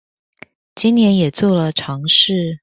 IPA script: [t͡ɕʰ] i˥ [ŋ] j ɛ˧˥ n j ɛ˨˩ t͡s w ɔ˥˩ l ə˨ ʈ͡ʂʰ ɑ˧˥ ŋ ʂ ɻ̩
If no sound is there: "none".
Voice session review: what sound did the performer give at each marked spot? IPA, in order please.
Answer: t͡ɕ, n

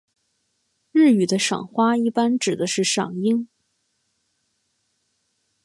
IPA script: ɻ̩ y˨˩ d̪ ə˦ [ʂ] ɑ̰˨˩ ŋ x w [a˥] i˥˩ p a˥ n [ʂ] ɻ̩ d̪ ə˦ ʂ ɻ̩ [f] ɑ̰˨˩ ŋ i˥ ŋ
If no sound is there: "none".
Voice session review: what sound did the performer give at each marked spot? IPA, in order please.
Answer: ʂ, a˥, ʈ͡ʂ, ʂ

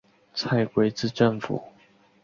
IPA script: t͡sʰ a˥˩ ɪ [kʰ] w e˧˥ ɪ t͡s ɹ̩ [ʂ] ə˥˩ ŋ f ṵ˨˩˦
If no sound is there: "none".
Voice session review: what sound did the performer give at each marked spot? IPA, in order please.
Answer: k, ʈ͡ʂ

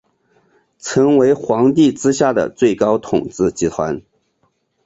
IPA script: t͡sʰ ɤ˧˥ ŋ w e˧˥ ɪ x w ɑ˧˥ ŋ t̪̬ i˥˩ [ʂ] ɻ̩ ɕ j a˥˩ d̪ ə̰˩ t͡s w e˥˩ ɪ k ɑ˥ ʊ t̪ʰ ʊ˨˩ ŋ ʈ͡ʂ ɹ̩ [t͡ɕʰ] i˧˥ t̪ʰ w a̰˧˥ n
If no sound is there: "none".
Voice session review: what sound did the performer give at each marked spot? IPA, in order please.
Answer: ʈ͡ʂ, t͡ɕ

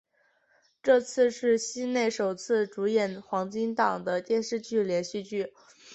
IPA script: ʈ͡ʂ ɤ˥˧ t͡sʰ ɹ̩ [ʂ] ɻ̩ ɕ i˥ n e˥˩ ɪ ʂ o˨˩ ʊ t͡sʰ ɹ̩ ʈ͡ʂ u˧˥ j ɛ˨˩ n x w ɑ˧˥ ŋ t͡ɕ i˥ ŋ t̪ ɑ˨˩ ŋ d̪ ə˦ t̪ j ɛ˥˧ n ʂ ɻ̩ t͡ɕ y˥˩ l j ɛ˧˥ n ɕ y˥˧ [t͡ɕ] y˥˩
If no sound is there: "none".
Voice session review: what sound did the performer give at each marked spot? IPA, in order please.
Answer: ʂ, t͡ɕ

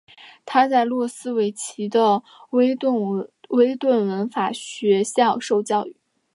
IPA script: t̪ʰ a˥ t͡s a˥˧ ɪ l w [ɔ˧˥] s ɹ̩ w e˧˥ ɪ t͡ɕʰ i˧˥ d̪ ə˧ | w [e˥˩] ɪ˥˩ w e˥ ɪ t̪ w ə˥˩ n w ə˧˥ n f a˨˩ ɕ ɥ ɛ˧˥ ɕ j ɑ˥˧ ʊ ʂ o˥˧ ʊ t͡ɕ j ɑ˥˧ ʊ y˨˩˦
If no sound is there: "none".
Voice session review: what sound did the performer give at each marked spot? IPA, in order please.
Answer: ɔ˥˩, e˥

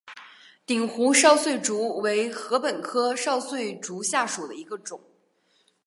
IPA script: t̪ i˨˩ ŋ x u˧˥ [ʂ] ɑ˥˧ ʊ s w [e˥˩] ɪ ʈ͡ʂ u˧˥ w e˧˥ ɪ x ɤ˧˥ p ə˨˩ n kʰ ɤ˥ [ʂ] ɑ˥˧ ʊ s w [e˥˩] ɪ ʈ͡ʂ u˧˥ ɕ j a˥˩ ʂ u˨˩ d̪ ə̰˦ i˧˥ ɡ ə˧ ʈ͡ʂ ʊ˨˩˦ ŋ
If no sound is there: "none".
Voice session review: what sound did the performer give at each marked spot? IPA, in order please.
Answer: ʂ, e˥˩, ʂ, e˥˩

